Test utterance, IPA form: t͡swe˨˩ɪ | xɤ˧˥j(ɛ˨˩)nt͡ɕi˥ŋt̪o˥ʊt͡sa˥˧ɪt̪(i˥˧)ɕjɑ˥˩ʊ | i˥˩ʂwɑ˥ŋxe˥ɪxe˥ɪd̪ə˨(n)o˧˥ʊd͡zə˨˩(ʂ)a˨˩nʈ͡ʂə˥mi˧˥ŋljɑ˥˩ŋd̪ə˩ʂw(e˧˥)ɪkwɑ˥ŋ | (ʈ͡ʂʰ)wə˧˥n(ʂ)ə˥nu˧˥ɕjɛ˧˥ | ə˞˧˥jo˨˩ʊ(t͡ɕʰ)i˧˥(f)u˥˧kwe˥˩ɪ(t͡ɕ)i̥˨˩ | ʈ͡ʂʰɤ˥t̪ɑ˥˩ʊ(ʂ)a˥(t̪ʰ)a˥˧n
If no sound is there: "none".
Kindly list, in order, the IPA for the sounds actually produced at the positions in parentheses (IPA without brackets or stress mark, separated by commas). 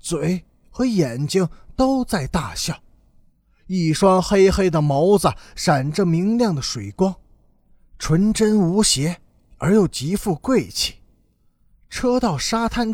ɛ˨˩, a˥˧, m, ʂ, e˨˩, ʈ͡ʂʰ, ʈ͡ʂ, t͡ɕ, f, t͡ɕʰ, ʂ, t̪ʰ